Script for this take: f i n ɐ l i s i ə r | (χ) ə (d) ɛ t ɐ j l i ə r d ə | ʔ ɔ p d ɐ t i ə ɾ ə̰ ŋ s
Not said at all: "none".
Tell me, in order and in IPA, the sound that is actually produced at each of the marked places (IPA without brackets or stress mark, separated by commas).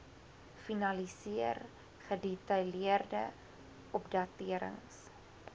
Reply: χ, d